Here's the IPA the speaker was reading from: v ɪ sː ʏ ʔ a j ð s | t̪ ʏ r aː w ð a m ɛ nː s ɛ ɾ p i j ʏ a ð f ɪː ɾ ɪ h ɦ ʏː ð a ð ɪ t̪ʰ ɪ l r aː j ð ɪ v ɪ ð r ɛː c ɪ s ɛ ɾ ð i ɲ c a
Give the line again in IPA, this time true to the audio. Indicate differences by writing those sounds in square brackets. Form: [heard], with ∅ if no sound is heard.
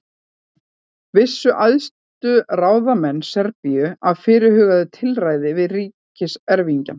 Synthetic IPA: v ɪ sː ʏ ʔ a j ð s | t̪ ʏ r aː w ð a m ɛ nː s ɛ ɾ p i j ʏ a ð f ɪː ɾ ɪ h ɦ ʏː [ɣ] a ð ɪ t̪ʰ ɪ l r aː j ð ɪ v ɪ ð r [iː] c ɪ s ɛ ɾ [v] i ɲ c a